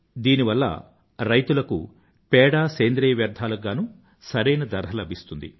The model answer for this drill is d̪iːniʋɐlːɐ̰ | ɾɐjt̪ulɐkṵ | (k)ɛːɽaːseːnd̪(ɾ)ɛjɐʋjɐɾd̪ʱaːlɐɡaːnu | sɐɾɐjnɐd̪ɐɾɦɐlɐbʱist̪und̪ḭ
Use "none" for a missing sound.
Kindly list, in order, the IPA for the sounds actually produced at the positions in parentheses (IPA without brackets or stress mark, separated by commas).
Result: p, ɾ